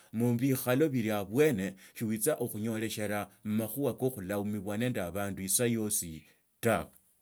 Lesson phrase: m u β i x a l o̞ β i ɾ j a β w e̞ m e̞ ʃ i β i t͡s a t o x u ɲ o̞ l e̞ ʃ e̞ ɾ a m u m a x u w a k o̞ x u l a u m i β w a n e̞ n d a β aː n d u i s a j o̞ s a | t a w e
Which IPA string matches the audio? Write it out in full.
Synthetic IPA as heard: m u β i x a l o̞ β i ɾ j a β w e̞ n e̞ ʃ i w i t͡s a ʔ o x u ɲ o̞ l e̞ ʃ e̞ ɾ a m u m a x u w a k o̞ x u l a u m i β w a n e̞ n d a β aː n d u i s a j o̞ s i | t a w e